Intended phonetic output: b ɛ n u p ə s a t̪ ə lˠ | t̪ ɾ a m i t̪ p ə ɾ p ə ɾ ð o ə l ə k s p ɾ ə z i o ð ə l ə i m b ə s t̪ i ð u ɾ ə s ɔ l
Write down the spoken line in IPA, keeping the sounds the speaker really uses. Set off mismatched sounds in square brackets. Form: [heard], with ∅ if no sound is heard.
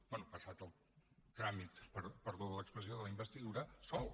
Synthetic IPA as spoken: b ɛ n u p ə s a t̪ ə lˠ | t̪ ɾ a m i t̪ p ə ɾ p ə ɾ ð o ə l ə k s p ɾ ə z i o ð ə l ə i m b ə s t̪ i ð u ɾ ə s ɔ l